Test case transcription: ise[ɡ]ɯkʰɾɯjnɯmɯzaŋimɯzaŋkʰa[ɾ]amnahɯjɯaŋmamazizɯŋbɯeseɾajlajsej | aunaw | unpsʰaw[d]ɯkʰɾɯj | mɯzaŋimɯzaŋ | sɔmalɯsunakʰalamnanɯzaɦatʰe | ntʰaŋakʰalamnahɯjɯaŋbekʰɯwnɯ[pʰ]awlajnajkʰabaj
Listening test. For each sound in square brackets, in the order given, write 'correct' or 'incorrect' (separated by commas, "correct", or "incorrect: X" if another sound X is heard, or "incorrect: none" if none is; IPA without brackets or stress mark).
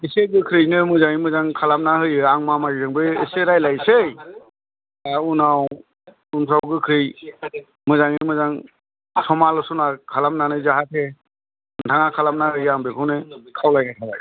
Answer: correct, incorrect: l, incorrect: ɡ, incorrect: kʰ